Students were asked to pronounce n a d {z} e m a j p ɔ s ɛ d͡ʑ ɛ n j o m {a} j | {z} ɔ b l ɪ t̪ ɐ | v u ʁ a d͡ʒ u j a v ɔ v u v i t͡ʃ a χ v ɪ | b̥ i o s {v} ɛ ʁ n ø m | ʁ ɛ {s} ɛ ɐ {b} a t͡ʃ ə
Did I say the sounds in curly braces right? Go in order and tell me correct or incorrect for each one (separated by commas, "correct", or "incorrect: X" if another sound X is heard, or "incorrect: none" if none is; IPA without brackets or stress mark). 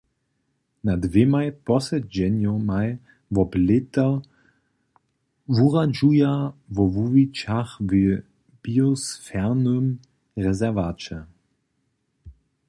incorrect: v, correct, incorrect: v, incorrect: f, incorrect: z, incorrect: v